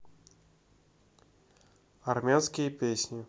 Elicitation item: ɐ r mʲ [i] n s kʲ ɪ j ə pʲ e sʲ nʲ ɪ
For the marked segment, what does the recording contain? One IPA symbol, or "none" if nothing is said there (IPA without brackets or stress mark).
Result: a